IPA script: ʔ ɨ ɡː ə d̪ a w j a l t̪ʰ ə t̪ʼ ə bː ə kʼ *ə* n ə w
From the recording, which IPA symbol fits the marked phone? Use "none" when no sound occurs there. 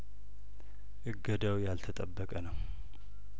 ə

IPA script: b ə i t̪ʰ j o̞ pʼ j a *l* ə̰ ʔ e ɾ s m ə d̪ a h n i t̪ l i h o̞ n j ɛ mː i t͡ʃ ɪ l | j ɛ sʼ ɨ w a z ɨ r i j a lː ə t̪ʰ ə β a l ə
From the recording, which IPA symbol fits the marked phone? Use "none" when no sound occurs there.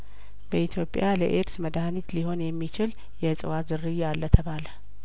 l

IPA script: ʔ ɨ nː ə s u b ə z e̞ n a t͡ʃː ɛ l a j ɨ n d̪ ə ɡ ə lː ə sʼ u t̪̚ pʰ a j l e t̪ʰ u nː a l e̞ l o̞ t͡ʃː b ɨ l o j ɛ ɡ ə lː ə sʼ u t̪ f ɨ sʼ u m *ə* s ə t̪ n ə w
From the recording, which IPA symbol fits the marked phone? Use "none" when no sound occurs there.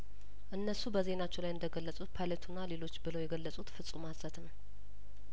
a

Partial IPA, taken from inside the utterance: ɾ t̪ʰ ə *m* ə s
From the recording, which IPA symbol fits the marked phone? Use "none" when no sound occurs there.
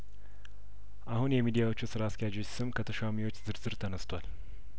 n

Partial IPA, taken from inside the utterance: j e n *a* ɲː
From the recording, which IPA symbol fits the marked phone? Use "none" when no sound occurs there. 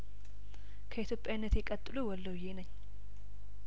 ə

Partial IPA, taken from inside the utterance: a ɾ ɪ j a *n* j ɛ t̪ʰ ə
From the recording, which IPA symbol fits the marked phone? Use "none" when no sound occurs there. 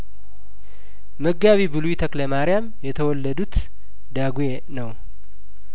m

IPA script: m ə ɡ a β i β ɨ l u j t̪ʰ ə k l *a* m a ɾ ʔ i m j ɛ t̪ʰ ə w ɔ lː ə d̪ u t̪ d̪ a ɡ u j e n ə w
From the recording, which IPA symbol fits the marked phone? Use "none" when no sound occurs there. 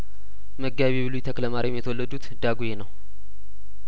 ə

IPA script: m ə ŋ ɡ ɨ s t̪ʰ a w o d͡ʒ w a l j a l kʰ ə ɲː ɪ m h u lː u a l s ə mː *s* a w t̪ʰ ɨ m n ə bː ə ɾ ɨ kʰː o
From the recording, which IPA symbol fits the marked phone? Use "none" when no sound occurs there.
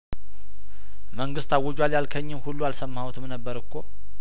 h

